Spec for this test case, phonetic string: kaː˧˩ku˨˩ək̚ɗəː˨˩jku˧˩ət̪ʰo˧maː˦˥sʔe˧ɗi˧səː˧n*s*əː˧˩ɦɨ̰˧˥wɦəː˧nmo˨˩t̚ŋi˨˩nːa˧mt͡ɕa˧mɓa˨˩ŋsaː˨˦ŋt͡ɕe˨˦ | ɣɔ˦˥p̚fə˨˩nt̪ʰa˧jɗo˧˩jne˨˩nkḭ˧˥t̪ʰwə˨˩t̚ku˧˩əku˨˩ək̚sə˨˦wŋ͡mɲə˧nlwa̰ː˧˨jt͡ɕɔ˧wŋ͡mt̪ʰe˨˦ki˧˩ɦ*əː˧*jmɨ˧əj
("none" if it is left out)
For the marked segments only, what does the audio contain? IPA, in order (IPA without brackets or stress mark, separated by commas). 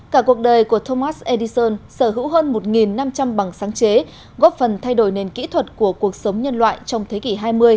s, aː˧